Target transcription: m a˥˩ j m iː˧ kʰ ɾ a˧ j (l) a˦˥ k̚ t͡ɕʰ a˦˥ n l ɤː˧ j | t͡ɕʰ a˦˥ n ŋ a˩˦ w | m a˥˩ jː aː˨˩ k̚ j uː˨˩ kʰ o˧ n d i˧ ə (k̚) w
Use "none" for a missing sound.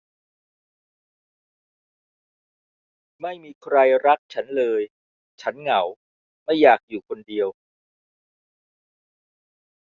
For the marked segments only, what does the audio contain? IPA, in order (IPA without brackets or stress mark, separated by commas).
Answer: ɾ, none